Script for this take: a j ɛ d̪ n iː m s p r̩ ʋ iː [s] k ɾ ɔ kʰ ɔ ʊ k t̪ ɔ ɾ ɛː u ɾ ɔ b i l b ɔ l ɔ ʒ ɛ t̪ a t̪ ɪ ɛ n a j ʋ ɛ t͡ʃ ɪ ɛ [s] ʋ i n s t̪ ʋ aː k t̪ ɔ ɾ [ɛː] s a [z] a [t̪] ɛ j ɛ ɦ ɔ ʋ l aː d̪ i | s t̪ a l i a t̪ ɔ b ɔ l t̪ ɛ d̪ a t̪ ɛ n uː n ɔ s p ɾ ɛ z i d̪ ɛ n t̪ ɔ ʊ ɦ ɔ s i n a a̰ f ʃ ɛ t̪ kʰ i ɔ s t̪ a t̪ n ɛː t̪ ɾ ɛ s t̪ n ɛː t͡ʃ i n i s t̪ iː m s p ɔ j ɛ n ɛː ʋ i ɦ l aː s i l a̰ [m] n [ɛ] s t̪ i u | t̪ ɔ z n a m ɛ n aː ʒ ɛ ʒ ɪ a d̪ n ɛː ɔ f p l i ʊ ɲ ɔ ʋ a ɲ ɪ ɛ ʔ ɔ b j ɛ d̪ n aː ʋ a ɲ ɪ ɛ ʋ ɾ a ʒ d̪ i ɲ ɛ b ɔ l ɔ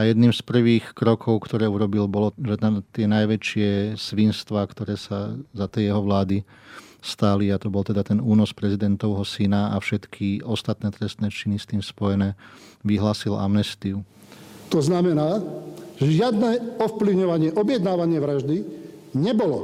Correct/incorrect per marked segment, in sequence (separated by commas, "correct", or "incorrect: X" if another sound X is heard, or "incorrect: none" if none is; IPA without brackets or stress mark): incorrect: x, correct, correct, correct, correct, correct, correct